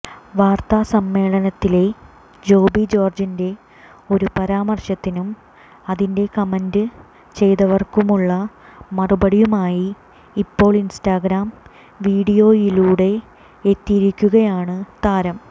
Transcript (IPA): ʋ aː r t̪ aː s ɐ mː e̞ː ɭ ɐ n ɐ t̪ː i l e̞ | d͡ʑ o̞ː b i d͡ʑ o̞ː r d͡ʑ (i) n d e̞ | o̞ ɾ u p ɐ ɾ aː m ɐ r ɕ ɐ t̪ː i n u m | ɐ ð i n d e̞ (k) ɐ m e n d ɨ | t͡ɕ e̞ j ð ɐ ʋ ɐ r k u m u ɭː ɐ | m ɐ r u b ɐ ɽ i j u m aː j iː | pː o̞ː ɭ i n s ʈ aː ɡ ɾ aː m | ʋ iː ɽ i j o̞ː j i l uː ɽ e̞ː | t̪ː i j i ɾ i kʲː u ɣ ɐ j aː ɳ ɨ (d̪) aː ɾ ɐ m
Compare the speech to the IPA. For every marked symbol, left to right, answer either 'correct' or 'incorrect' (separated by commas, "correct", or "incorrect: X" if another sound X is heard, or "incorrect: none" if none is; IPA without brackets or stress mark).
correct, correct, incorrect: t̪